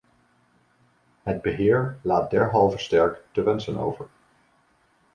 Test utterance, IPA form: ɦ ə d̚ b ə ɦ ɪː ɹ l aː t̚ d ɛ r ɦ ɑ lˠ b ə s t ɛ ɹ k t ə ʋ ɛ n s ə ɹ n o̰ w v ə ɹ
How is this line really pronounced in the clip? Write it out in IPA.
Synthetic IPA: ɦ ə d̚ b ə ɦ ɪː ɹ l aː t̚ d ɛ ɹ ɦ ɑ lˠ v ə s t ɛ ɹ k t ə ʋ ɛ n s ə n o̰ w v ə ɹ